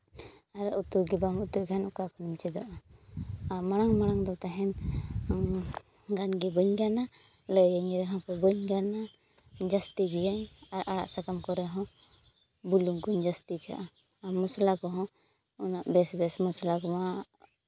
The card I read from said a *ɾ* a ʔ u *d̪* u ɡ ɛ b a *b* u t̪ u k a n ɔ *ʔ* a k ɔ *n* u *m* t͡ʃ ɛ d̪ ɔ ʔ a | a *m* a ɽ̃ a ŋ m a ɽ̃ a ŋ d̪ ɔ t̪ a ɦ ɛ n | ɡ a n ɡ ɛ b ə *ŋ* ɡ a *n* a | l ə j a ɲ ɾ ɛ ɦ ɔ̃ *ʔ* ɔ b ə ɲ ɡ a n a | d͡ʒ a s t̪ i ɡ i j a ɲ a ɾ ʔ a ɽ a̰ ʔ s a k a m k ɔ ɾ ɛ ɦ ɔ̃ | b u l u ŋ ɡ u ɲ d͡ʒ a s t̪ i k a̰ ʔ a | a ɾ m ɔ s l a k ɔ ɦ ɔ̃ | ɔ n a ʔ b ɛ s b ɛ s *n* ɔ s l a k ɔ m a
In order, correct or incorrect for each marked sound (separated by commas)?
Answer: correct, incorrect, incorrect, incorrect, correct, correct, correct, incorrect, correct, incorrect, incorrect